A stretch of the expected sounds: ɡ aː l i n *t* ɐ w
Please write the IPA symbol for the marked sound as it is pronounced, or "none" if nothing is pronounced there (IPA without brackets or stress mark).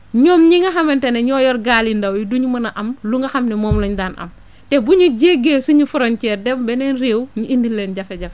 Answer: d